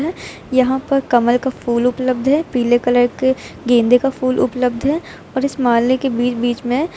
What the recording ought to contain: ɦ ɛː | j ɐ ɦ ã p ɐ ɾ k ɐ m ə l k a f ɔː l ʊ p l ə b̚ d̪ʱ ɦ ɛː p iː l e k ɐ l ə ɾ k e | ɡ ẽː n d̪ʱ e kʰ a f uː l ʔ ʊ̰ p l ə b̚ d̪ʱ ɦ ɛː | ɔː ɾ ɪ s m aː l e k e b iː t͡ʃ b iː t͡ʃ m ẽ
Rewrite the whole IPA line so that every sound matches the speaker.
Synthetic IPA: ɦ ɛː | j ɐ ɦ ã p ɐ ɾ k ɐ m ə l k a f uː l ʊ p l ə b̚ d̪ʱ ɦ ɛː p iː l e k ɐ l ə ɾ k e | ɡ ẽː n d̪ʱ e k a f uː l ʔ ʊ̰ p l ə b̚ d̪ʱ ɦ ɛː | ɔː ɾ ɪ s m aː l e k e b iː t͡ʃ b iː t͡ʃ m ẽ